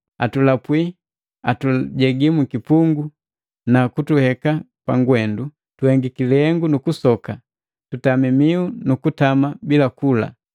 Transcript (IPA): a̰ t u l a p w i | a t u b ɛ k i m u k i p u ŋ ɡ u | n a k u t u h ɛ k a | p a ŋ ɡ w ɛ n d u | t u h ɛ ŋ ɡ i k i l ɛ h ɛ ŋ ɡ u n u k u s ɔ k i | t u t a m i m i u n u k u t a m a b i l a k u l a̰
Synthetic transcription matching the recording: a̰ t u l a p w i | a t u ɟ ɛ ɡ i m u k i p u ŋ ɡ u | n a k u t u h ɛ k a | p a ŋ ɡ w ɛ n d u | t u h ɛ ŋ ɡ i k i l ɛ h ɛ ŋ ɡ u n u k u s ɔ k a | t u t a m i m i u n u k u t a m a b i l a k u l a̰